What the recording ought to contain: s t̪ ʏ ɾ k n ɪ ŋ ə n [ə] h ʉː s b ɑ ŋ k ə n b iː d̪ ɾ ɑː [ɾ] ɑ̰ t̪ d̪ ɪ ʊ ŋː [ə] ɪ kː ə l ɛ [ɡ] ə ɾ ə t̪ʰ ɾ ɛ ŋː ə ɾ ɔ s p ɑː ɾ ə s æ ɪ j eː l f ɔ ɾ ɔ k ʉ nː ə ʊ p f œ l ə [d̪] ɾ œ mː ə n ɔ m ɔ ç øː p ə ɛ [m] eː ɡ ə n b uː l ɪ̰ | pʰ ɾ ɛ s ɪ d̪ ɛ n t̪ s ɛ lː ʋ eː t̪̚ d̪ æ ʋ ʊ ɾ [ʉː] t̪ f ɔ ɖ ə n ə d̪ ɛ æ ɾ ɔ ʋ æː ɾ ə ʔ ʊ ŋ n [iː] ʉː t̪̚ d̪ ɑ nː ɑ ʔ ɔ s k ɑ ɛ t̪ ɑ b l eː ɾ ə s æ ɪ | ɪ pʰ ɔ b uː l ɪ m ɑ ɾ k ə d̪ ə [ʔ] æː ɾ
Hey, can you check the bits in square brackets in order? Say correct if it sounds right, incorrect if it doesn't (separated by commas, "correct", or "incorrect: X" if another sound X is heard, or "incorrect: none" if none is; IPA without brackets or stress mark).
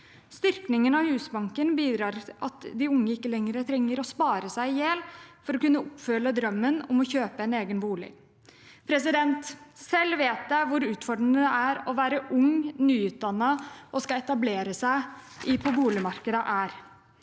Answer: incorrect: ɑ, correct, correct, incorrect: ŋ, correct, incorrect: n, correct, incorrect: yː, correct